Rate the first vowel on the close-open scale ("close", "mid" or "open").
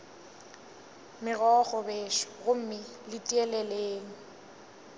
close